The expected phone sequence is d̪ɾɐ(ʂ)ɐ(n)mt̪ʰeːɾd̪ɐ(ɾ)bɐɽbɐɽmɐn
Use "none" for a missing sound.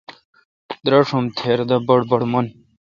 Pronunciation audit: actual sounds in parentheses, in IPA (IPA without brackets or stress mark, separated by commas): ʂ, none, none